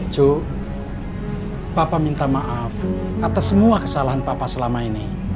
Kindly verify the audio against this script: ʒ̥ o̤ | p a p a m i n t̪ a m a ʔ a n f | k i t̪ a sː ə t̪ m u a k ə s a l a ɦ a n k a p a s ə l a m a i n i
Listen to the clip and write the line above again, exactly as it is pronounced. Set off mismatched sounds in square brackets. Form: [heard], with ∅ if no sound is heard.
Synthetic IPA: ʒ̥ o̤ | p a p a m i n t̪ a m a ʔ a [∅] f | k [a] t̪ a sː ə [∅] m u a k ə s a l a ɦ a n [p] a p a s ə l a m a i n i